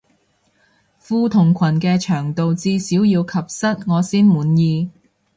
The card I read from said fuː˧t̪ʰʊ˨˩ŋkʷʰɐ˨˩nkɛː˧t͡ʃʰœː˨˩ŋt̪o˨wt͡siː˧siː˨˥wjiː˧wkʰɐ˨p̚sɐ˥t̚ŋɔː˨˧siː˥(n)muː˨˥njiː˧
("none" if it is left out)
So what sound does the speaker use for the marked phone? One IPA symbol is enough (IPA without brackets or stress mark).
n